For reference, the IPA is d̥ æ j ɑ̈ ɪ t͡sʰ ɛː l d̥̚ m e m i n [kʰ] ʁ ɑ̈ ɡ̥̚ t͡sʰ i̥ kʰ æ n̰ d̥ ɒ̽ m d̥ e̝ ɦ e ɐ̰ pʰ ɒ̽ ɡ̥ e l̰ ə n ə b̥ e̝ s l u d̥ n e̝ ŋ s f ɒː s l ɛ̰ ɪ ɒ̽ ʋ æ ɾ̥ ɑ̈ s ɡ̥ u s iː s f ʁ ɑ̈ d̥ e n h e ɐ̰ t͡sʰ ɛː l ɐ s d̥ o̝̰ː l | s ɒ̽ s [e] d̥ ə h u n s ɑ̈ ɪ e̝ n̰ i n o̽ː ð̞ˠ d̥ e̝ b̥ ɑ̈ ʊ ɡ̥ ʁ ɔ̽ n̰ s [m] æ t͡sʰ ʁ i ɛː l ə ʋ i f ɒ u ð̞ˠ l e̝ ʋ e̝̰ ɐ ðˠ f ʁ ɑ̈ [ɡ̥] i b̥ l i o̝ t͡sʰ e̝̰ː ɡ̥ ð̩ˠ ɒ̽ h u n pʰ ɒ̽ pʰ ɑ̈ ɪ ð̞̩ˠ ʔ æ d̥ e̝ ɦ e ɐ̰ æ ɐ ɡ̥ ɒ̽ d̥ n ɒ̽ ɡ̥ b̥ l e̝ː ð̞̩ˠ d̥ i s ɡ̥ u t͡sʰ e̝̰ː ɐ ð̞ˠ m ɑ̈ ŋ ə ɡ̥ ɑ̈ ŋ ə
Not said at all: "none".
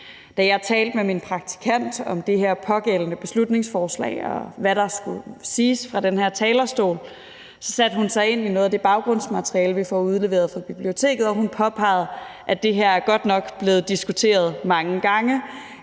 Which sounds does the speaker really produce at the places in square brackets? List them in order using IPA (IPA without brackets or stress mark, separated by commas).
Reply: pʰ, æ, m, b̥